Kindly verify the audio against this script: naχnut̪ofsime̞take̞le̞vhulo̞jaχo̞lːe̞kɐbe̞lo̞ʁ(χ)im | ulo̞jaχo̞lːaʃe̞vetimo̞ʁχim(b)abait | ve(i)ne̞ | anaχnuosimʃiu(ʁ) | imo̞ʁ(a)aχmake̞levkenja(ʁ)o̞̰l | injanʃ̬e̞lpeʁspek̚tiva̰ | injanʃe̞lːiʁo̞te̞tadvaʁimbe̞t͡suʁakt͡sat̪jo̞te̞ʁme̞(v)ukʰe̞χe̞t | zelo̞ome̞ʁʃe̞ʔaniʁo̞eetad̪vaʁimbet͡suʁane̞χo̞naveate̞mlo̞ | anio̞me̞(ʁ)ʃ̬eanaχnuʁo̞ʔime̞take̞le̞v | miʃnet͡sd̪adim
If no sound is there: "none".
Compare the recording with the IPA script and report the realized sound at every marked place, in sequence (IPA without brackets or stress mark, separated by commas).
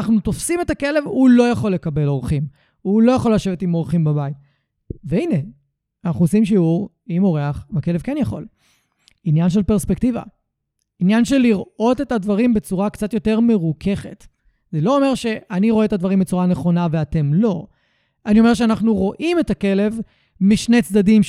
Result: χ, b, i, ʁ, e, χ, ʁ, ʁ